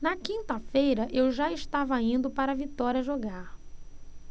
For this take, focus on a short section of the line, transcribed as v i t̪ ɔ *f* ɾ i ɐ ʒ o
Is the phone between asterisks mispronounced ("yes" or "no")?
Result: yes